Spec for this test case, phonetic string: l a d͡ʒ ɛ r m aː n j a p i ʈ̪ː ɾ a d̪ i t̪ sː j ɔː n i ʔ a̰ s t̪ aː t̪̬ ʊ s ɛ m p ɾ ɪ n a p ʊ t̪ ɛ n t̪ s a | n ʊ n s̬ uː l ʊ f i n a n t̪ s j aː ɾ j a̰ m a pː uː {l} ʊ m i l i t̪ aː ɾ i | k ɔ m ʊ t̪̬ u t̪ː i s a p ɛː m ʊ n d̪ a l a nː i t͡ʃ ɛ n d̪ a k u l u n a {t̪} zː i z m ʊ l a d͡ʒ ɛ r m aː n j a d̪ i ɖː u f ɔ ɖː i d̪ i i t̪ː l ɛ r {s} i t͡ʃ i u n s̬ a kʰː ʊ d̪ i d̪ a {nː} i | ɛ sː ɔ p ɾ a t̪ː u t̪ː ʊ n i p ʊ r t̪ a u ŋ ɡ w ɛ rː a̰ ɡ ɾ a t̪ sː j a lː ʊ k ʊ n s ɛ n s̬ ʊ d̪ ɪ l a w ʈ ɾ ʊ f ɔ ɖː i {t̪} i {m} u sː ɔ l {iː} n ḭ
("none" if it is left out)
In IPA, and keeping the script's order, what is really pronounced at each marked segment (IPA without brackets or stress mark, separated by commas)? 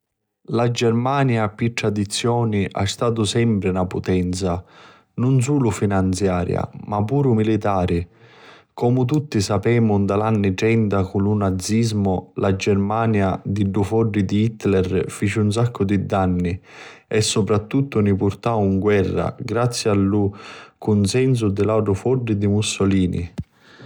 ɾ, d̪, f, nː, d̪, m, iː